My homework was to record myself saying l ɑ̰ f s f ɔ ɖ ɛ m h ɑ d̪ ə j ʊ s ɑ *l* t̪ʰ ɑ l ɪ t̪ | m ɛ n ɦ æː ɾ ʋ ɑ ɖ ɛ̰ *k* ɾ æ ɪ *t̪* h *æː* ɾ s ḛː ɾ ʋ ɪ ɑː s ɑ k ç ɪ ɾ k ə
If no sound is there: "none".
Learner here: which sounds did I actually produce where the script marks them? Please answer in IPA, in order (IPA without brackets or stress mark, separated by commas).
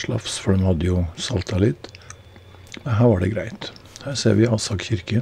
l, ɡ, t̪, æː